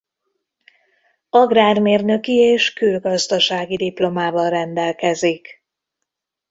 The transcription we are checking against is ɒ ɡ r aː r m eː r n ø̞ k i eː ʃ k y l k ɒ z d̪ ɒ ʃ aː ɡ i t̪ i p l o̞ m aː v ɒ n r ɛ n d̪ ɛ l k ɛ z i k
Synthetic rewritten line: ɒ ɡ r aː r m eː r n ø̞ k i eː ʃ k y l ɡ ɒ z d̪ ɒ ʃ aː ɡ i d̪ i p l o̞ m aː v ɒ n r ɛ n d̪ ɛ l k ɛ z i k